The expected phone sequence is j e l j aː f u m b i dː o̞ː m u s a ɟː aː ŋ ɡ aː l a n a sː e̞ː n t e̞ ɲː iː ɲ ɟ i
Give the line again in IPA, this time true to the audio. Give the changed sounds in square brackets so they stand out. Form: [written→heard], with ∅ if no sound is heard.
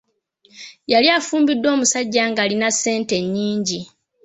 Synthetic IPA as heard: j [e→a] l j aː f [u→uː] m b i dː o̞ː m u s a ɟː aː ŋ ɡ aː l [a→i] n a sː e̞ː n t e̞ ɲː iː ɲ ɟ i